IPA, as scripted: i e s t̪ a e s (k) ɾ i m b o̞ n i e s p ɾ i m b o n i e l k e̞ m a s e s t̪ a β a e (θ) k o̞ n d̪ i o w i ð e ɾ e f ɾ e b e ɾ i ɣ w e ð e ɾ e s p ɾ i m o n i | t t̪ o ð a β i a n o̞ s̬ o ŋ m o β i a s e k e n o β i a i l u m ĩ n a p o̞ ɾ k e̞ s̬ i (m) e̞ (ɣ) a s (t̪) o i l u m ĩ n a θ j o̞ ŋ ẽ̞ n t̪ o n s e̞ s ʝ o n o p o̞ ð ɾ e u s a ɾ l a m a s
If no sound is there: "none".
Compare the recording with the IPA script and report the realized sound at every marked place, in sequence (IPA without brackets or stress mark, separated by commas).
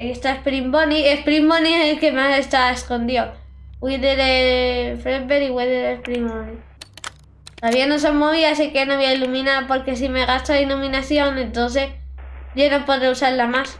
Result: p, s, m, ɣ, t̪